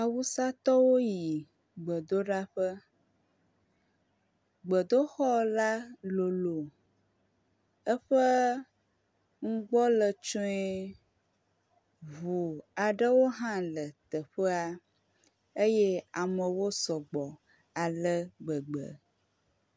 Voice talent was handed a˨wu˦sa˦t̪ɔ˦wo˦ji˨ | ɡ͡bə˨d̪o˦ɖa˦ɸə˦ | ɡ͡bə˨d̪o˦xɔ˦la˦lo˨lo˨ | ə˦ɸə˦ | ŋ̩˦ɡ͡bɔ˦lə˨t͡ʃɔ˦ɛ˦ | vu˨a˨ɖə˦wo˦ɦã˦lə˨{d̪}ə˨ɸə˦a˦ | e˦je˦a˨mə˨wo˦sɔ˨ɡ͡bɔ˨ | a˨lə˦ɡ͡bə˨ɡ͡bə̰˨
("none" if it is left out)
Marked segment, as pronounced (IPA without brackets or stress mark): t̪